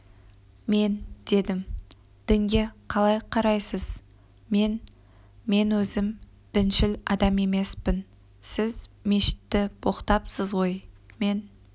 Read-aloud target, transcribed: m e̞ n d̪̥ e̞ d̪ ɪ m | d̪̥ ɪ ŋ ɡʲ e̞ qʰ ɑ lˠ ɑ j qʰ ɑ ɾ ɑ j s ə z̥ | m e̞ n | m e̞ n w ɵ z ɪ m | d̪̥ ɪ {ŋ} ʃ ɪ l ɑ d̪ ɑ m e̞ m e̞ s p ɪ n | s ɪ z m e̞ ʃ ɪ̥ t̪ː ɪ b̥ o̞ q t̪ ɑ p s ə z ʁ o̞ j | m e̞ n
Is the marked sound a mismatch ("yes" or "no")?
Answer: yes